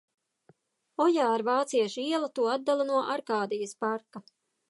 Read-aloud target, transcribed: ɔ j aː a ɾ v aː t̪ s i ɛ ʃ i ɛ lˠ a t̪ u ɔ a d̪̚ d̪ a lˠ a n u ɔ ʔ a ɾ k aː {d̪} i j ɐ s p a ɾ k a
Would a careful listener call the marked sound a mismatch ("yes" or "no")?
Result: no